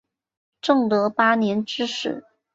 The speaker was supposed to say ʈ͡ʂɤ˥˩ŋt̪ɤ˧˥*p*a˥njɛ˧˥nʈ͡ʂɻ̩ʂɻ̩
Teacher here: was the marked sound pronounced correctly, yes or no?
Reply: yes